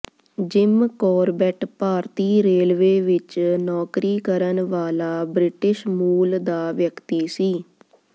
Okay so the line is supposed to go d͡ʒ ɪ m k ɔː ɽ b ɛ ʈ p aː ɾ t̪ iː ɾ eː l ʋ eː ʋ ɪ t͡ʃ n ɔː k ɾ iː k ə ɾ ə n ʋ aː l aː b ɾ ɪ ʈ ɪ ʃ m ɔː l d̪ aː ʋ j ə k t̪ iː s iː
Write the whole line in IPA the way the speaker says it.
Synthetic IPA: d͡ʒ ɪ m k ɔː ɾ b ɛ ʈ p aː ɾ t̪ iː ɾ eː l ʋ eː ʋ ɪ t͡ʃ n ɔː k ɾ iː k ə ɾ ə n ʋ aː l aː b ɾ ɪ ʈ ɪ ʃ m uː l d̪ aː ʋ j ə k t̪ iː s iː